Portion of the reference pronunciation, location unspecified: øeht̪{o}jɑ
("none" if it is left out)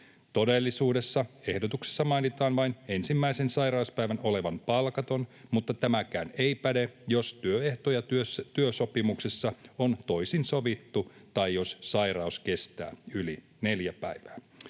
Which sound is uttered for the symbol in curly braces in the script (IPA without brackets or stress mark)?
o